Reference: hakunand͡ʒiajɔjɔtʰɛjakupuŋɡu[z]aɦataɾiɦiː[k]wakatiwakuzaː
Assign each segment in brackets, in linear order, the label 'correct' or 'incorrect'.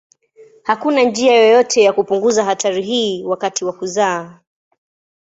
correct, incorrect

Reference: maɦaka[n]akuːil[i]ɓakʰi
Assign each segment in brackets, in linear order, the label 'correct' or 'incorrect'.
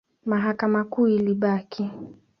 incorrect, correct

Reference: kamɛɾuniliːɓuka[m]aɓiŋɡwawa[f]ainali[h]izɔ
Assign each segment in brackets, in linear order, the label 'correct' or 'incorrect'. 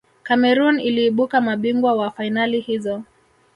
correct, correct, correct

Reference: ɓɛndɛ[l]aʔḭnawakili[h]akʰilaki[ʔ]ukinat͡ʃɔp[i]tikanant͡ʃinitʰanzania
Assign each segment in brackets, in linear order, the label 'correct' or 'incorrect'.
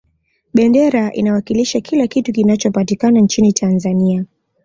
incorrect, incorrect, incorrect, incorrect

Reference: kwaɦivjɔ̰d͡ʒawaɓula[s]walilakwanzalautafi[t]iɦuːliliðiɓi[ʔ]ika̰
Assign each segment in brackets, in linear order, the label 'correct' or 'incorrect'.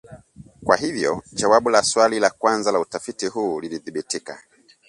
correct, correct, incorrect

